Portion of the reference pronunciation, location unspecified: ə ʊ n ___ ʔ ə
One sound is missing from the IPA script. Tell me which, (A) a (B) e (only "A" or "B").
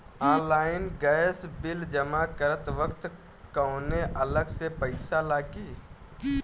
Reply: B